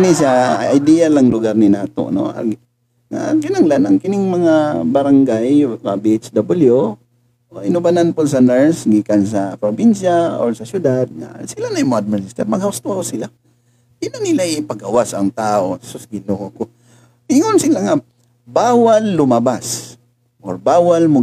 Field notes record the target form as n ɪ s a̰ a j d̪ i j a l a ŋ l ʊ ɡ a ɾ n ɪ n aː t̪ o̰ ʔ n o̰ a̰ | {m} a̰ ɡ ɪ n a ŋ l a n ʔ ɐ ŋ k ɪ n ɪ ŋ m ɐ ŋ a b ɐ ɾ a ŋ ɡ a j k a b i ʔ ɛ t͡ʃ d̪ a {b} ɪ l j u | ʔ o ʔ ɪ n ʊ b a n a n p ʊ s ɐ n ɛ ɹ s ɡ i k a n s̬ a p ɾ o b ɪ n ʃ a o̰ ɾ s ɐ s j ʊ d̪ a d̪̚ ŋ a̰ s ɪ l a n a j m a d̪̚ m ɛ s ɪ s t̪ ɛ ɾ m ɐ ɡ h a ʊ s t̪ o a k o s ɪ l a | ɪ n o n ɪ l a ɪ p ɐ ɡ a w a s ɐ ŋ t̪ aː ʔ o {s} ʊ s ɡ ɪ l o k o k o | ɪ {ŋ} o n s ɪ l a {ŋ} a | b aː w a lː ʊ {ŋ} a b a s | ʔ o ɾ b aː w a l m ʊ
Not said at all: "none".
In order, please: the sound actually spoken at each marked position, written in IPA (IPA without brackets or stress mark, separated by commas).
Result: ŋ, b, s, ŋ, ŋ, m